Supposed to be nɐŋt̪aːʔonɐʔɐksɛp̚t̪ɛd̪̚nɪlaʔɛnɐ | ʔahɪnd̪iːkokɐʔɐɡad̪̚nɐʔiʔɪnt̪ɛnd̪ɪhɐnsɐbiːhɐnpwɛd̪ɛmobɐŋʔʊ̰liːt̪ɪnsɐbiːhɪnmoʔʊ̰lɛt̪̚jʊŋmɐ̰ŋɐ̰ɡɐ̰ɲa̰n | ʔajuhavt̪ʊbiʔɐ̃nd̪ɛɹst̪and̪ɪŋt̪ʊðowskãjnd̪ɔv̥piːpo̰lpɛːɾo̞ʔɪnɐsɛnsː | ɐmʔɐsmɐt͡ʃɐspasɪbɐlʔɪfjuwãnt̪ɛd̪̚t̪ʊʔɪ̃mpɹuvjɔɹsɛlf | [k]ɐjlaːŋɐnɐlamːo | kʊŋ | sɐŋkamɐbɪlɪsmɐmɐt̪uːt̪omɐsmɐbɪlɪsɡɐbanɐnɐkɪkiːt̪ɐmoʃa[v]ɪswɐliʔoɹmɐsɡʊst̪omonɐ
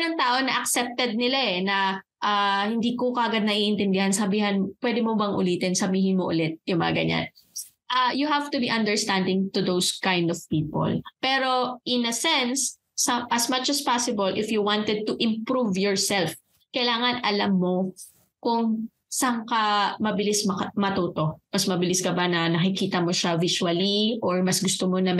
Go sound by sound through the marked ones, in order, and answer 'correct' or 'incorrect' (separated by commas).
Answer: correct, correct